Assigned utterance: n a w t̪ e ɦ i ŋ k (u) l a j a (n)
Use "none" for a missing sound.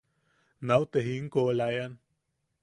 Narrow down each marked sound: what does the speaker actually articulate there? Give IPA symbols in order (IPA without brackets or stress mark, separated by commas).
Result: o, n